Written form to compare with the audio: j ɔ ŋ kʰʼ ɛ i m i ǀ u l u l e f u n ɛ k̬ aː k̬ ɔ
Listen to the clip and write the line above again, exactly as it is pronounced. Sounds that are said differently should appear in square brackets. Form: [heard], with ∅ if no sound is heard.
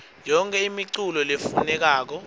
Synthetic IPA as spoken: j ɔ ŋ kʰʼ ɛ i m i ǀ u l [ɔ] l e f u n ɛ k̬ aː k̬ ɔ